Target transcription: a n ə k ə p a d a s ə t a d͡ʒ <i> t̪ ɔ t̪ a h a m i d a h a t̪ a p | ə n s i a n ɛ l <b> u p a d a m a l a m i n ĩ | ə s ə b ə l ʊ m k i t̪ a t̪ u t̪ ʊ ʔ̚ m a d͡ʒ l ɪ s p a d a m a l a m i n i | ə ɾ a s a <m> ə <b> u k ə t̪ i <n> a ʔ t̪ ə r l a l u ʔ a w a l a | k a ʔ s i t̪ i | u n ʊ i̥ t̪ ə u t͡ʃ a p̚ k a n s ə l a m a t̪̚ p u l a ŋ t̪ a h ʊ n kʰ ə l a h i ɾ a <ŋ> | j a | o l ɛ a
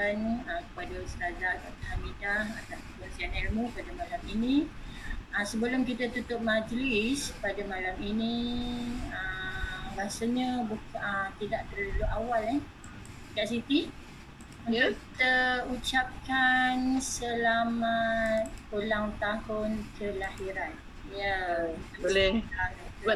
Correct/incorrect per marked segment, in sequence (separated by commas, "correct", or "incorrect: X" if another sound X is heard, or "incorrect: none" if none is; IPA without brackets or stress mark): incorrect: a, incorrect: m, incorrect: ɲ, correct, incorrect: d, incorrect: n